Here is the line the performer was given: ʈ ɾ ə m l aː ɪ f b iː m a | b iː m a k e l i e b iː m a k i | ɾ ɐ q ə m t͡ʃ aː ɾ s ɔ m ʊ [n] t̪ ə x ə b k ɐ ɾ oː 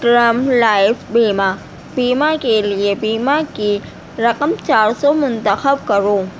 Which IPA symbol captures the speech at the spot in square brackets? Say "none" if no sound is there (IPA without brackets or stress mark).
n